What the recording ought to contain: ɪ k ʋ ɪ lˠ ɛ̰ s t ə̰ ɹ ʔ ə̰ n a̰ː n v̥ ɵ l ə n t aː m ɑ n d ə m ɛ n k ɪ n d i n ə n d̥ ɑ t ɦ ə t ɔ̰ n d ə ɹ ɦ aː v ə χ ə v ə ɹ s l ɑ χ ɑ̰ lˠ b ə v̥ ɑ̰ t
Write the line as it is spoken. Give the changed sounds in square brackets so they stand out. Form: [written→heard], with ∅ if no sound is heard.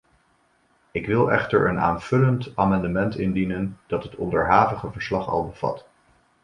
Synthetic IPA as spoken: ɪ k ʋ ɪ lˠ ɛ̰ [s→χ] t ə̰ ɹ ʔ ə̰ n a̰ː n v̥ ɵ l ə n t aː m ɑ n d ə m ɛ n [k→t] ɪ n d i n ə n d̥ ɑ t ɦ ə t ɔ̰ n d ə ɹ ɦ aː v ə χ ə v ə ɹ s l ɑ χ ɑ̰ lˠ b ə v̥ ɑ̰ t